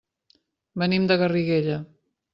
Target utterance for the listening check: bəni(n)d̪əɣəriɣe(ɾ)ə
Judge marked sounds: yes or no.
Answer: no, no

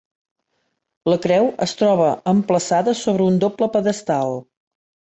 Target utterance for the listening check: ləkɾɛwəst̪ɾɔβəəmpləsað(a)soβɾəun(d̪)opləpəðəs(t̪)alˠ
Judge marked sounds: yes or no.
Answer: no, yes, yes

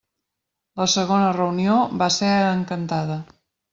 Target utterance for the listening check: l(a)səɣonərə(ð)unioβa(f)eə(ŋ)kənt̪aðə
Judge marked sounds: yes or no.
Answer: no, no, no, yes

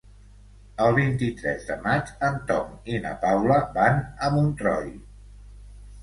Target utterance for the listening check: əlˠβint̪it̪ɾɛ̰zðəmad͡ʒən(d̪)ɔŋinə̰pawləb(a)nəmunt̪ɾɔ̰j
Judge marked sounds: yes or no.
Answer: no, yes

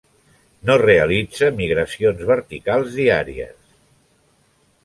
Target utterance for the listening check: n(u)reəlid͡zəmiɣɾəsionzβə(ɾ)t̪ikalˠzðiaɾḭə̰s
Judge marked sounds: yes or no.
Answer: no, yes

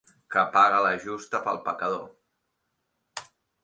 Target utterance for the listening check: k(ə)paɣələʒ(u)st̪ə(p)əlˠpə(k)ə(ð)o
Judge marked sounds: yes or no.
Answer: yes, yes, yes, yes, yes

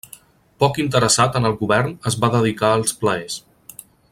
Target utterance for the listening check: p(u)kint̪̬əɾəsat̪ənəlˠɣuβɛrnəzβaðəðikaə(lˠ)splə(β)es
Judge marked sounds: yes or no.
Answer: no, yes, no

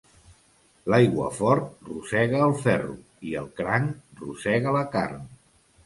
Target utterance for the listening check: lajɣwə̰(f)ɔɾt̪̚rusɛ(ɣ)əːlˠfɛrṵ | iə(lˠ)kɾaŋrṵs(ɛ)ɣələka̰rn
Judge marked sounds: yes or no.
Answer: yes, yes, yes, yes

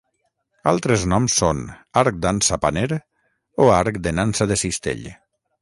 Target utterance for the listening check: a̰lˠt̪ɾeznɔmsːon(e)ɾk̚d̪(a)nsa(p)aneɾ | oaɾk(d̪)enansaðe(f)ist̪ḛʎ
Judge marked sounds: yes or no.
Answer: no, yes, yes, yes, no

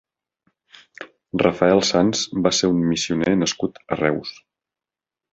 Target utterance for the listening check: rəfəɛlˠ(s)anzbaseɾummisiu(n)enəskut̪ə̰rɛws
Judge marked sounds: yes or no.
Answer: yes, yes

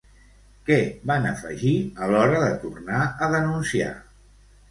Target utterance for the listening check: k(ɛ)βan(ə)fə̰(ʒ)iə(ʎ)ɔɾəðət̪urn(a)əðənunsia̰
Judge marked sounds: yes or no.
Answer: yes, yes, yes, no, yes

